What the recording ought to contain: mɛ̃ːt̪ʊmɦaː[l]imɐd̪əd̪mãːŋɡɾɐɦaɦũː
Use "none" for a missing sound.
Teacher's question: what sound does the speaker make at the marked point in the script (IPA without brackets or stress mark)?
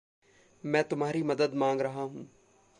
ɾ